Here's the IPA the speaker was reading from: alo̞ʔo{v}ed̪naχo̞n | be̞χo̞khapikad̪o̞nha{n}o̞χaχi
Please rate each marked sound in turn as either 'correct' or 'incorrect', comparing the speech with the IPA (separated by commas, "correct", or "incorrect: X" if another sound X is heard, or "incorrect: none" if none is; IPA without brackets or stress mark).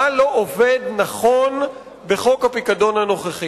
correct, correct